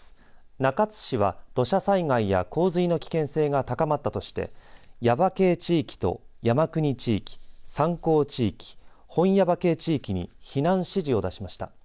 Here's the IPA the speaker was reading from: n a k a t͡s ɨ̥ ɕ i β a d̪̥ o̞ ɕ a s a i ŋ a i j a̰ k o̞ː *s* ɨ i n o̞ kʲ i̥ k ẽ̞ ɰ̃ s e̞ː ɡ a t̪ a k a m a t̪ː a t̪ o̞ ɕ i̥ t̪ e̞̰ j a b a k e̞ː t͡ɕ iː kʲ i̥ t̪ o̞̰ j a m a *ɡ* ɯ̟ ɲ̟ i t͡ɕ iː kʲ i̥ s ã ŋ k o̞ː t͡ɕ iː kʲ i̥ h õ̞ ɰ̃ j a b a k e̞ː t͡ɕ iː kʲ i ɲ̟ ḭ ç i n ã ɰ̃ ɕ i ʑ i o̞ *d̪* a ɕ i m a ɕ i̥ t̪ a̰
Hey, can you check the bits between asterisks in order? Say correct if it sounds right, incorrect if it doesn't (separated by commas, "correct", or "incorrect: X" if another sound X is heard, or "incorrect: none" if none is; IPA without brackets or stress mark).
incorrect: z, incorrect: k, correct